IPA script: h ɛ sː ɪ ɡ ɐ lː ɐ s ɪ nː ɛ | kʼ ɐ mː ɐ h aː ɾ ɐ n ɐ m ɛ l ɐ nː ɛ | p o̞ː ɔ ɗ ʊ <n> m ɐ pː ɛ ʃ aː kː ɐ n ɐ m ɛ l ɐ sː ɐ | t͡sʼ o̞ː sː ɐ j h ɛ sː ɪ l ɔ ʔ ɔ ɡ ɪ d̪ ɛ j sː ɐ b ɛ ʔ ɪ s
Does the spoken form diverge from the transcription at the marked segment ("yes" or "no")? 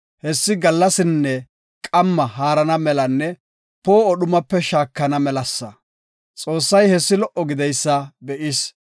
yes